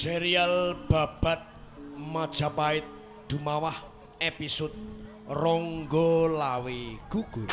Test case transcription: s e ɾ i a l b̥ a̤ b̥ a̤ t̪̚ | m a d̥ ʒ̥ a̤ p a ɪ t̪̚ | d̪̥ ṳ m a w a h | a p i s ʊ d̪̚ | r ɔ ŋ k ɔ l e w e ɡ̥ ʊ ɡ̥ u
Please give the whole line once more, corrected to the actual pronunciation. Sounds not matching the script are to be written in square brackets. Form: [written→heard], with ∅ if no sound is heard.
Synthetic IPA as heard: s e ɾ i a l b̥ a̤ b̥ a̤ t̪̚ | m a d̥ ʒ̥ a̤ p a ɪ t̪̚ | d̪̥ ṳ m a w a h | [a→e] p i s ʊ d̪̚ | r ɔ ŋ [k→ɡ] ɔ l [e→a] w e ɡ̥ [ʊ→u] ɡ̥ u